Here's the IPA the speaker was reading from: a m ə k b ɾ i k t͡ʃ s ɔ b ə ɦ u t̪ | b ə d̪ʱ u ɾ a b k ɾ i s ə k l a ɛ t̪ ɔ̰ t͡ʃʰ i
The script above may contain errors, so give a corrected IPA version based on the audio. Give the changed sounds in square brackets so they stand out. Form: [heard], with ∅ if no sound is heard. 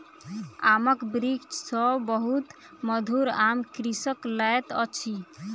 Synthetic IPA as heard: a m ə k b ɾ i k t͡ʃ s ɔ b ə ɦ u t̪ | [m] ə d̪ʱ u ɾ a [m] k ɾ i s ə k l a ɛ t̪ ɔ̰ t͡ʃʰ i